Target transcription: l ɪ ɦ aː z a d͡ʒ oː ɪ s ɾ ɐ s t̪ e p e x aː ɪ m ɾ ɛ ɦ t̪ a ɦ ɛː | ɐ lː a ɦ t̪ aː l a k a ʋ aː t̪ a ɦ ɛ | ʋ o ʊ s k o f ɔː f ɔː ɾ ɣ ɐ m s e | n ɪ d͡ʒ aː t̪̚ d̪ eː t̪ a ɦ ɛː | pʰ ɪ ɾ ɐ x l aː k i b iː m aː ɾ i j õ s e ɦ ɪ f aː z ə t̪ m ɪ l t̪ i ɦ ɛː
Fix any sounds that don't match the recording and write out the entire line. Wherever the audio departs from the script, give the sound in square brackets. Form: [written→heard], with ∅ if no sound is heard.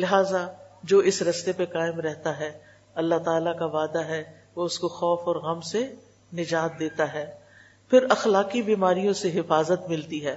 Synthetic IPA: l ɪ ɦ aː z a d͡ʒ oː ɪ s ɾ ɐ s t̪ e p e [x→k] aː ɪ m ɾ ɛ ɦ t̪ a ɦ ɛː | ɐ lː a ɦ t̪ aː l a k a ʋ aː [t̪→d̪] a ɦ ɛ | ʋ o ʊ s k o [f→x] ɔː f ɔː ɾ ɣ ɐ m s e | n ɪ d͡ʒ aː t̪̚ d̪ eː t̪ a ɦ ɛː | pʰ ɪ ɾ ɐ x l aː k i b iː m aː ɾ i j õ s e ɦ ɪ f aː z ə t̪ m ɪ l t̪ i ɦ ɛː